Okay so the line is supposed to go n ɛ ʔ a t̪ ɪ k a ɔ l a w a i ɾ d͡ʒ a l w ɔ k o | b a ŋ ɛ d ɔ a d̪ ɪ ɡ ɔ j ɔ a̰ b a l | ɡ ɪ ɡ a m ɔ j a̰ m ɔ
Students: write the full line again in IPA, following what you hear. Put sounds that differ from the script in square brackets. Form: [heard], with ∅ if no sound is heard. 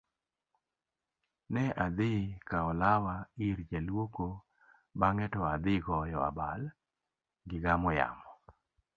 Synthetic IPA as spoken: n ɛ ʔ a [d̪] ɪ k a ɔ l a w a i ɾ d͡ʒ a l w [o] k o | b a ŋ ɛ [t] ɔ a d̪ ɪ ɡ ɔ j ɔ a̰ b a l | ɡ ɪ ɡ a m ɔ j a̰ m ɔ